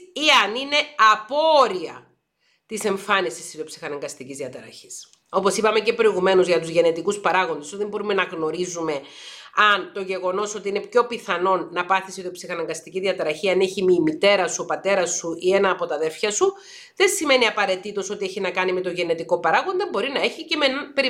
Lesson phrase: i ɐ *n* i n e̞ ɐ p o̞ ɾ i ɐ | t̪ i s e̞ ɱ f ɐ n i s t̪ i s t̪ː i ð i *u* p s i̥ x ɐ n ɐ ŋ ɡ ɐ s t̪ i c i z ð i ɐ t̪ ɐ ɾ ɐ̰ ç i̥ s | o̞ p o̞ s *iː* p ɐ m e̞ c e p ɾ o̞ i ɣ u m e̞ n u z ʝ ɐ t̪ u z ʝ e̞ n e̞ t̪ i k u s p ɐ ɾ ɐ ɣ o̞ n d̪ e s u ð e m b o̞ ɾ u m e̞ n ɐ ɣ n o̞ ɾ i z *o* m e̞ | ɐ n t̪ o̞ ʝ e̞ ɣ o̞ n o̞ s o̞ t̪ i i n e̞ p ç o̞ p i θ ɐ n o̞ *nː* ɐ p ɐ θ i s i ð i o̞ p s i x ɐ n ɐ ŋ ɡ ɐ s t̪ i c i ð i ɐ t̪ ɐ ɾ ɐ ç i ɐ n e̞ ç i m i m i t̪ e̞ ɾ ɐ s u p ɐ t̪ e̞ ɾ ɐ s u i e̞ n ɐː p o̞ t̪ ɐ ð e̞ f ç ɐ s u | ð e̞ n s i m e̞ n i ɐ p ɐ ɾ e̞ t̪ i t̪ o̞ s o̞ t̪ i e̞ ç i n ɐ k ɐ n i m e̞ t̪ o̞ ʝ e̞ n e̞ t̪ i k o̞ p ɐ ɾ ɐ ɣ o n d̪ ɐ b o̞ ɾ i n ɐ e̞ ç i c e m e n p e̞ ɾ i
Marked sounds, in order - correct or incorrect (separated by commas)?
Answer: correct, incorrect, incorrect, incorrect, correct